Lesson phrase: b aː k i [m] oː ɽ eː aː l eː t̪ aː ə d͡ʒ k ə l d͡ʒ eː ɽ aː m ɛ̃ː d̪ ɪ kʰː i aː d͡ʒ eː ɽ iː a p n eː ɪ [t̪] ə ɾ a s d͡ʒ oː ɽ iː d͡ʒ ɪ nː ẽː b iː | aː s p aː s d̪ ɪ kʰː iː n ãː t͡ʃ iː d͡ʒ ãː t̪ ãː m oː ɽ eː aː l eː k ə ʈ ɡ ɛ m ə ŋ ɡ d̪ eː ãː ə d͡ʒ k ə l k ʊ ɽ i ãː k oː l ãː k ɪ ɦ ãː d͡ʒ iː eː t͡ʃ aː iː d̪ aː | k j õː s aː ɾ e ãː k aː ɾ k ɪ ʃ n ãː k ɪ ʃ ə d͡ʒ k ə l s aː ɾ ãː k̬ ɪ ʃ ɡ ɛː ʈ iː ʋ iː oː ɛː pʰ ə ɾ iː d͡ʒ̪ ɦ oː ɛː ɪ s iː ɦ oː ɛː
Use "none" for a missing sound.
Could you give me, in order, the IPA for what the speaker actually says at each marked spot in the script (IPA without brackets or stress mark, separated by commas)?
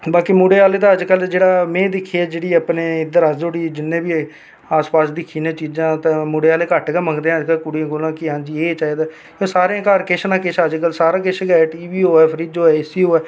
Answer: m, d̪